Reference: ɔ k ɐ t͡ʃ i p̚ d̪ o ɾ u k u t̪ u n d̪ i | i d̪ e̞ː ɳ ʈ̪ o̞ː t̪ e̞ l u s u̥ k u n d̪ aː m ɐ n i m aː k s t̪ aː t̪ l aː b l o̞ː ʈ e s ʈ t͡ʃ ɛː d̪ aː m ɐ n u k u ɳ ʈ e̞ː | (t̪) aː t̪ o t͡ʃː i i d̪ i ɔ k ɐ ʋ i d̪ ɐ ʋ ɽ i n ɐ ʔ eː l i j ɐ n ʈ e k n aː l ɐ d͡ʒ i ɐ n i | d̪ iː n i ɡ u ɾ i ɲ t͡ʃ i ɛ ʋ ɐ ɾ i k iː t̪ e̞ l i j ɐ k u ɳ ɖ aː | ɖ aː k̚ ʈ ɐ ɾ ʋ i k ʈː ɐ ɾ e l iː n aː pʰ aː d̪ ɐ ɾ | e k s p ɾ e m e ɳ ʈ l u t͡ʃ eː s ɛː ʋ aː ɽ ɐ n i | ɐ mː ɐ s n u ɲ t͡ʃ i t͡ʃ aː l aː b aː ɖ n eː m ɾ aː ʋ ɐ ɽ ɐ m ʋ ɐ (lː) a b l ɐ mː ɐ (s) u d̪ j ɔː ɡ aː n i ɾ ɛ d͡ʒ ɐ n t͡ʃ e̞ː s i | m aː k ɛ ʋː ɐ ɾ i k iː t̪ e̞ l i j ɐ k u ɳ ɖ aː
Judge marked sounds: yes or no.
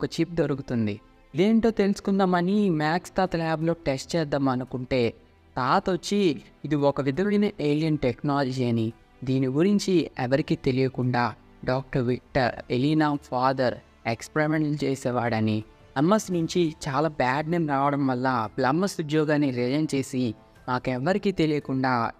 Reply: yes, yes, yes

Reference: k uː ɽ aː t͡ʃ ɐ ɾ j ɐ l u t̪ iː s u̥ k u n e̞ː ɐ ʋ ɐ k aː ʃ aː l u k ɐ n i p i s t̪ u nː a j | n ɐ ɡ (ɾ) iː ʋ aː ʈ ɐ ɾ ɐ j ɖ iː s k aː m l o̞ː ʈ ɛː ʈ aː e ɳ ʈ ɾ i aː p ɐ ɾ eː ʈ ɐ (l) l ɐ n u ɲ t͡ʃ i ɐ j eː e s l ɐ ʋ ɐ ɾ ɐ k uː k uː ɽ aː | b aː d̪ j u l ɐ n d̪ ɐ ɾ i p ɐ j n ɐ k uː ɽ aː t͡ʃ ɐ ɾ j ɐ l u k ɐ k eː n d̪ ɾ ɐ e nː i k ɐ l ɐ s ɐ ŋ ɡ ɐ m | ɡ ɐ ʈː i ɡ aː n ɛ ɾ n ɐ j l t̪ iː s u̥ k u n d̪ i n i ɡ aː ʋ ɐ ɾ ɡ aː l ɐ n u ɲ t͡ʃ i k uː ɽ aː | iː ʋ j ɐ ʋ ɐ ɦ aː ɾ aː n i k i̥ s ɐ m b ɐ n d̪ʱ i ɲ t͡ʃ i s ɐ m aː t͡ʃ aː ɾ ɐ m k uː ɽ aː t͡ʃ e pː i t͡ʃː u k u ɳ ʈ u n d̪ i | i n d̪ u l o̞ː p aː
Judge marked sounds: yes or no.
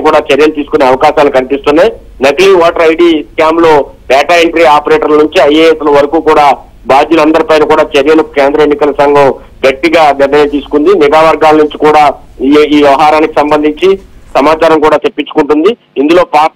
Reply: no, no

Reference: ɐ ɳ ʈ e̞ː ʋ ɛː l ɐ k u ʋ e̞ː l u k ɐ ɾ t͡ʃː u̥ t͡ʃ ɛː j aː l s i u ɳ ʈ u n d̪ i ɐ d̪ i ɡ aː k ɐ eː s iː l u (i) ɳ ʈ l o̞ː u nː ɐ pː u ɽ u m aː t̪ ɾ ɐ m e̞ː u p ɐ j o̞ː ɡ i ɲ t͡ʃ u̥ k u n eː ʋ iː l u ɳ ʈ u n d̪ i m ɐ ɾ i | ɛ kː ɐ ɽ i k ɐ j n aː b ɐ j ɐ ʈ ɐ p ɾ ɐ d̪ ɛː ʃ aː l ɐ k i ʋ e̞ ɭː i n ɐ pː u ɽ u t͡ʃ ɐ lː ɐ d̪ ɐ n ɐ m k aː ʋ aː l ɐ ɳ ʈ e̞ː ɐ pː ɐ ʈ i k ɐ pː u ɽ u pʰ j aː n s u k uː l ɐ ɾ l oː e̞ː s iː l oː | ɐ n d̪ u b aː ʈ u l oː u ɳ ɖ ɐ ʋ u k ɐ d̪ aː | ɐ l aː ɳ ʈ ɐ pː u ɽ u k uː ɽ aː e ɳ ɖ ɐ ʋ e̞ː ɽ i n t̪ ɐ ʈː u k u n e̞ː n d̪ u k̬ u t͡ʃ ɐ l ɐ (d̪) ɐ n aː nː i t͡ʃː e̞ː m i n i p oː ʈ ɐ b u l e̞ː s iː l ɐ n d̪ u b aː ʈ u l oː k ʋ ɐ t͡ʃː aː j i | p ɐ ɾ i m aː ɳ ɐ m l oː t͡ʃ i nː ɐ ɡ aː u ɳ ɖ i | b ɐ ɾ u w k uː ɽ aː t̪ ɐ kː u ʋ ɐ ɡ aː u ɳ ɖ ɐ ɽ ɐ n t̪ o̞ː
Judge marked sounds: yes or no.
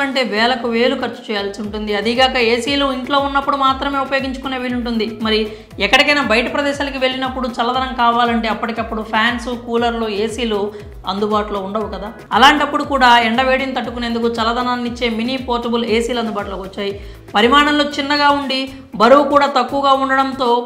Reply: yes, yes

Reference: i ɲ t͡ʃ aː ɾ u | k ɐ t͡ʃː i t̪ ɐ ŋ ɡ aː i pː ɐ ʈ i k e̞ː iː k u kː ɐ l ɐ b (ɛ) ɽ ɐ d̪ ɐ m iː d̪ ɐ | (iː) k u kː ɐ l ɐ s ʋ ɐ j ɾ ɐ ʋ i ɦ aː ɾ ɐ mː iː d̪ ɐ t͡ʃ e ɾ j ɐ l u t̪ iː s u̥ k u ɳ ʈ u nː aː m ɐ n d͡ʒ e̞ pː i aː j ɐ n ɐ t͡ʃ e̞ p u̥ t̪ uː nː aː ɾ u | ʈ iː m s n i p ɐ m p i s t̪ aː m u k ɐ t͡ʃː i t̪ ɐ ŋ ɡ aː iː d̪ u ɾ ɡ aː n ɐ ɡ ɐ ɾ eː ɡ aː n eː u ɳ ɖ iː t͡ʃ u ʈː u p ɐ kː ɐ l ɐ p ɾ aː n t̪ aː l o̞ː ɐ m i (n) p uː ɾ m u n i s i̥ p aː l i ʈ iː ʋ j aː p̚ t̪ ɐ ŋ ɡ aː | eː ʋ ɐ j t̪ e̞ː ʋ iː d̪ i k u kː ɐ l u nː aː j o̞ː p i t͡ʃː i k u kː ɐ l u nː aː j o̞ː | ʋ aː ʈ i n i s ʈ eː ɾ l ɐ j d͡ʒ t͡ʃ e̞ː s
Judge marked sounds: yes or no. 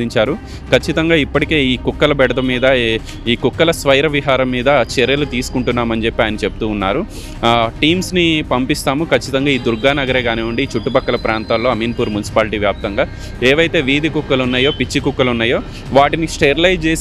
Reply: yes, yes, yes

